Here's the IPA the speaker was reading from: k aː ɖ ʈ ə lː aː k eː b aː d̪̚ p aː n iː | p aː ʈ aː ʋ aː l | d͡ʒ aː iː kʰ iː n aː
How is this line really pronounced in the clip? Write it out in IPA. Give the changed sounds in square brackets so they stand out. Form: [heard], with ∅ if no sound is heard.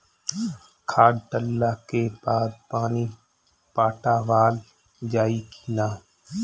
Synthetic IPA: [kʰ] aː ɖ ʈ ə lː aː k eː b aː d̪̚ p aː n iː | p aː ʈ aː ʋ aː l | d͡ʒ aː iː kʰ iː n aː